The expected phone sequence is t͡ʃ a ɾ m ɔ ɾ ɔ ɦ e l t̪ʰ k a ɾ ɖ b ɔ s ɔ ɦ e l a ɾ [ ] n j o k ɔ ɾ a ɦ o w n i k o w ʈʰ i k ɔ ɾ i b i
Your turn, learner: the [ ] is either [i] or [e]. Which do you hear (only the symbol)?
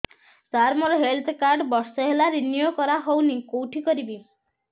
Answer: i